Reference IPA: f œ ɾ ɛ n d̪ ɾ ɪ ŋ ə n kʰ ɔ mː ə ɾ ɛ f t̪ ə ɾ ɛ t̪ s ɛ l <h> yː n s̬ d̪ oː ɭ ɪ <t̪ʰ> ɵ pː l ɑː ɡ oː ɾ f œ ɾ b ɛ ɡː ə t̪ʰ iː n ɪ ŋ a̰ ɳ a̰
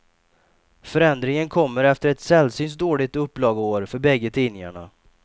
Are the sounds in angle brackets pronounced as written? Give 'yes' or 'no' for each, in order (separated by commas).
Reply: no, no